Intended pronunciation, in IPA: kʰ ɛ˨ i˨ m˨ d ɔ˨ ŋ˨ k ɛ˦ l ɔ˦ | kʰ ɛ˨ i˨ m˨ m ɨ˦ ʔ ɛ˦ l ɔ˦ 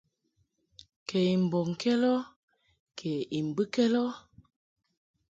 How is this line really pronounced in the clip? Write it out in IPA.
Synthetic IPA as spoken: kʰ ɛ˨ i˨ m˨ b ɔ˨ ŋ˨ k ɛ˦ l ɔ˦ | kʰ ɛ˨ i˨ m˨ b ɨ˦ k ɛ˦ l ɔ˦